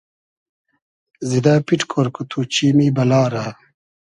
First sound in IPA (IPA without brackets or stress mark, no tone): z